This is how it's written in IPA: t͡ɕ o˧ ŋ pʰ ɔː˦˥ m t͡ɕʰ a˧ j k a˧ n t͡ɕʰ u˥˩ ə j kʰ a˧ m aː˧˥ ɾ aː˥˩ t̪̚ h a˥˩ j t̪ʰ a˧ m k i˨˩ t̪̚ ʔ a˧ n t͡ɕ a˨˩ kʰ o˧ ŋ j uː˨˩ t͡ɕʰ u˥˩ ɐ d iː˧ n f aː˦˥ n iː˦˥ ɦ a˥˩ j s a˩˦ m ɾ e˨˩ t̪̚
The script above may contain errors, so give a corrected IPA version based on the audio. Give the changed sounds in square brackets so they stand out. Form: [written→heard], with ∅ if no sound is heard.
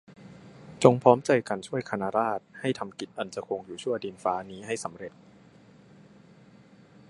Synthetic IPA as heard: t͡ɕ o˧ ŋ pʰ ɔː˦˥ m [t͡ɕʰ→t͡ɕ] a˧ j k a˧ n t͡ɕʰ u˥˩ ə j kʰ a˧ [m→n] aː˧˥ ɾ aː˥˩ t̪̚ h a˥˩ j t̪ʰ a˧ m k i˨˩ t̪̚ ʔ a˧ n t͡ɕ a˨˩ kʰ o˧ ŋ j uː˨˩ t͡ɕʰ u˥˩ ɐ d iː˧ n f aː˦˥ n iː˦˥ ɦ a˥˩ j s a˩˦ m ɾ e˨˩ t̪̚